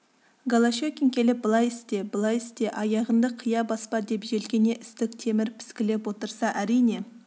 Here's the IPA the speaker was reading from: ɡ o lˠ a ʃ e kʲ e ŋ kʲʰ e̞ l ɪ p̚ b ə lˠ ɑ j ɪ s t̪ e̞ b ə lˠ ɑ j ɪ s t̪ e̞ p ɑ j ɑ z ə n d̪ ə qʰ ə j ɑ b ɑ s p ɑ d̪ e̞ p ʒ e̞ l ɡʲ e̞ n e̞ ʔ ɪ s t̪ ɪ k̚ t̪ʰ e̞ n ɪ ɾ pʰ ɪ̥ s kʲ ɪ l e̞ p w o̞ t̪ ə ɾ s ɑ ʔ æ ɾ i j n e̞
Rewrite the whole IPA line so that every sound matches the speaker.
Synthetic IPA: ɡ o lˠ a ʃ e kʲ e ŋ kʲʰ e̞ l ɪ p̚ b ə lˠ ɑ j ɪ s t̪ e̞ b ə lˠ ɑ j ɪ s t̪ e̞ ʔ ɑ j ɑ ʁ ə n d̪ ə qʰ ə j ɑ b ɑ s p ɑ d̪ e̞ p ʒ e̞ l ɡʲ e̞ n e̞ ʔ ɪ s t̪ ɪ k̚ t̪ʰ e̞ m ɪ ɾ pʰ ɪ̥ s kʲ ɪ l e̞ p w o̞ t̪ ə ɾ s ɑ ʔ æ ɾ i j n e̞